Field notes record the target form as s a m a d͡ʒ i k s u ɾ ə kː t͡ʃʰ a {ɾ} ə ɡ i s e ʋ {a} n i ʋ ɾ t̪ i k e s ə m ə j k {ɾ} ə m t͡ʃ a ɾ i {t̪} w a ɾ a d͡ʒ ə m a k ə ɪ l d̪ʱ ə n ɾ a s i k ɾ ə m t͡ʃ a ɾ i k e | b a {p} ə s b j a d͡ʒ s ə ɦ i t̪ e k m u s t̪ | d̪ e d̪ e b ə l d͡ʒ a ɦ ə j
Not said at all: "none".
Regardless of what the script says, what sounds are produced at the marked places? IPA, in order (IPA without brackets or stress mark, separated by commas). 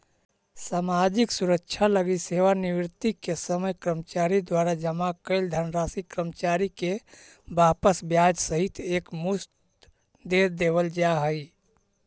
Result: l, a, ɾ, d̪, p